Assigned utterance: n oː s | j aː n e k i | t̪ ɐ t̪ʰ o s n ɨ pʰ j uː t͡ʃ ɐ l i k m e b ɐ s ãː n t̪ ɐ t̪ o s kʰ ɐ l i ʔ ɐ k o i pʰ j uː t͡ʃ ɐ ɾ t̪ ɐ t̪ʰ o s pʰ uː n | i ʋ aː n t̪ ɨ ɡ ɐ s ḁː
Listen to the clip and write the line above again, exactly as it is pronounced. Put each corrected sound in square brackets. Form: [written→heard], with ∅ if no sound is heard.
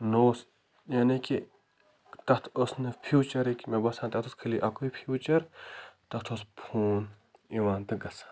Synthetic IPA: n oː s | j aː n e k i | t̪ ɐ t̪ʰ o s n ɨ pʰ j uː t͡ʃ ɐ [l→ɾ] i k m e b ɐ s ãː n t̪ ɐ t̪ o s kʰ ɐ l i ʔ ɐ k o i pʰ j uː t͡ʃ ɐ ɾ t̪ ɐ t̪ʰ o s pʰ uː n | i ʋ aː n t̪ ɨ ɡ ɐ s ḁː